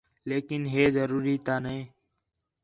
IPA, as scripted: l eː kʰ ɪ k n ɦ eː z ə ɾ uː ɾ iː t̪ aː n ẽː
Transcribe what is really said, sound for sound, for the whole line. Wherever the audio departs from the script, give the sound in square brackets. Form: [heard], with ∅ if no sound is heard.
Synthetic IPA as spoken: l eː [k] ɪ [∅] n ɦ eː z ə ɾ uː ɾ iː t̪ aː n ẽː

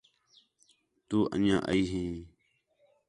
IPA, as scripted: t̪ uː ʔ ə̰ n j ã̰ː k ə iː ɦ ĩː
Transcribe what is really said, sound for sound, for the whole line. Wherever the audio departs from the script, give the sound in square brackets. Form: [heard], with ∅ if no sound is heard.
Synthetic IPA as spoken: t̪ uː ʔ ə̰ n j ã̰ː [ʔ] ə iː ɦ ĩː

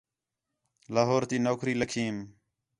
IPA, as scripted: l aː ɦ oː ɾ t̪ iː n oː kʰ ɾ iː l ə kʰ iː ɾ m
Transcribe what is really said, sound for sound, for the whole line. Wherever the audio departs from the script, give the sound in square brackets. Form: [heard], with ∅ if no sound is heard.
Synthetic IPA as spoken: l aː ɦ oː ɾ t̪ iː n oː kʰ ɾ iː l ə kʰ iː [∅] m

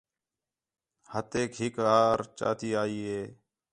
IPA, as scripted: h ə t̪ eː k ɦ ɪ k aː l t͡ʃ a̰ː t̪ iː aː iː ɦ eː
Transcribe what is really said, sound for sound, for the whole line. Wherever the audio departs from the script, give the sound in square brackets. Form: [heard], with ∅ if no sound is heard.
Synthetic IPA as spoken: h ə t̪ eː k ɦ ɪ k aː [ɾ] t͡ʃ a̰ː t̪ iː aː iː ɦ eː

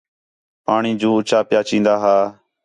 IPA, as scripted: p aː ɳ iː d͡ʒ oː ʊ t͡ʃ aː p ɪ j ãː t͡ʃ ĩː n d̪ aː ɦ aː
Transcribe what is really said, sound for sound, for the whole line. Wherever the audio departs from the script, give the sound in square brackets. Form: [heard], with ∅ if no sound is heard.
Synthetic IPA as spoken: p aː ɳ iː d͡ʒ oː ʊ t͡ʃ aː p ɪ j [aː] t͡ʃ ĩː n d̪ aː ɦ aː

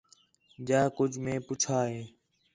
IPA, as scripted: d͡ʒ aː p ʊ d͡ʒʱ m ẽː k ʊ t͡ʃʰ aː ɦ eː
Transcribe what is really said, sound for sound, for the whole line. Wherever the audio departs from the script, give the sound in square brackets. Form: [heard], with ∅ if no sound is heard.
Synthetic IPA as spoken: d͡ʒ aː [k] ʊ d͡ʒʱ m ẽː [p] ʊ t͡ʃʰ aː ɦ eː

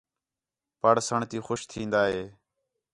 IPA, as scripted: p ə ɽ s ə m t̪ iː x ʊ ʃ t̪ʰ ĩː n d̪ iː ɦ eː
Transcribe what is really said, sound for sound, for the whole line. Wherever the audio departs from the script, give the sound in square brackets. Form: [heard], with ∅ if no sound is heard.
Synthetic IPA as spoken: p ə ɽ s ə [ɳ] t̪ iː x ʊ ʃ t̪ʰ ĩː n d̪ [aː] ɦ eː

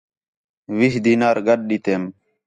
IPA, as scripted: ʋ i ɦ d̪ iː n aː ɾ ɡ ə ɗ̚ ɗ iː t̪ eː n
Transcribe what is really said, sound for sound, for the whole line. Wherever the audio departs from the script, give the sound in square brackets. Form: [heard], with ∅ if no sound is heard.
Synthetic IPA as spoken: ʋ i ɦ d̪ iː n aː ɾ ɡ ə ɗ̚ ɗ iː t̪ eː [m]

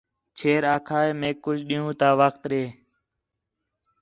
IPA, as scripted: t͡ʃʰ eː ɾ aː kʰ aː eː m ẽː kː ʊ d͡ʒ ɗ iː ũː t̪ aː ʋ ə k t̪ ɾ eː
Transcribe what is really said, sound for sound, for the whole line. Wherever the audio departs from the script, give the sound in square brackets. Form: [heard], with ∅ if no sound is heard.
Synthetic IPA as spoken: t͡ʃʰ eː ɾ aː kʰ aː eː m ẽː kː ʊ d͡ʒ ɗ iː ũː t̪ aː ʋ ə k t̪ ɾ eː

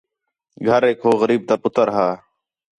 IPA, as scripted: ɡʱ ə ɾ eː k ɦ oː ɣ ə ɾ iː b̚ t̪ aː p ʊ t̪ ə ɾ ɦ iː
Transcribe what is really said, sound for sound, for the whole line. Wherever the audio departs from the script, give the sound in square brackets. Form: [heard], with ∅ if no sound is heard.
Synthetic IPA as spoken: ɡʱ ə ɾ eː k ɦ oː ɣ ə ɾ iː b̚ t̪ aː p ʊ t̪ ə ɾ ɦ [aː]

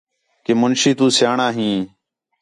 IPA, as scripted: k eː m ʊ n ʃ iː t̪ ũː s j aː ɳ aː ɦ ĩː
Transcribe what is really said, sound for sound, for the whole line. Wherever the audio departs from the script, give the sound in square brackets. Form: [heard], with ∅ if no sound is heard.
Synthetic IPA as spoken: k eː m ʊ n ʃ iː t̪ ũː s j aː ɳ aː ɦ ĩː

